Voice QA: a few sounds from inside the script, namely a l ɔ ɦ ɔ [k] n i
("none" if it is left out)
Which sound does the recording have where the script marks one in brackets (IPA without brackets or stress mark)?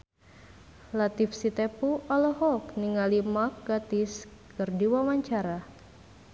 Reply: k